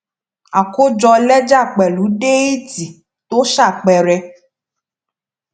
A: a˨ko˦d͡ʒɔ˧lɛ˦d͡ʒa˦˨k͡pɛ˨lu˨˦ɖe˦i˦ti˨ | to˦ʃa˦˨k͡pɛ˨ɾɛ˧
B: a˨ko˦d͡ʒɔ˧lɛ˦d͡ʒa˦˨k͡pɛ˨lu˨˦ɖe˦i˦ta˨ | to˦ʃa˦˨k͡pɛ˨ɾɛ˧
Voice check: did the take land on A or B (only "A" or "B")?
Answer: A